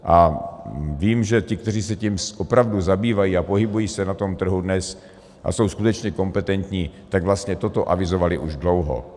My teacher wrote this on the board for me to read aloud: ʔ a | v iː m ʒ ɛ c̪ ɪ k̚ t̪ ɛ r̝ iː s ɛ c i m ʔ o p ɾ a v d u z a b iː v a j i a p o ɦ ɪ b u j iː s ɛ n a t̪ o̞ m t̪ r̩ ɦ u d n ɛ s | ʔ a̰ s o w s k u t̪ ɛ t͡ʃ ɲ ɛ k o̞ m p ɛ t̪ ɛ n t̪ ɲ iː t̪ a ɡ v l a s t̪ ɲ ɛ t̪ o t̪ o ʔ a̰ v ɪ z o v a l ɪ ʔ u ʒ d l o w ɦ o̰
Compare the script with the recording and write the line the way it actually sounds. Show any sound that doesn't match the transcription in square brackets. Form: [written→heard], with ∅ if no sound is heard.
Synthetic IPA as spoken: ʔ a | v iː m ʒ ɛ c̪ ɪ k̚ t̪ ɛ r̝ iː s ɛ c i m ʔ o p ɾ a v d u z a b iː v a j i a p o ɦ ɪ b u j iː s ɛ n a t̪ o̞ m t̪ r̩ ɦ u d n ɛ s | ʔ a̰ s o w s k u t̪ ɛ t͡ʃ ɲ ɛ k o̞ m p ɛ t̪ ɛ n t̪ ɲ iː t̪ a ɡ v l a s t̪ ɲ ɛ t̪ o t̪ o ʔ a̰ v ɪ z o v a l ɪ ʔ u ʒ d l o w ɦ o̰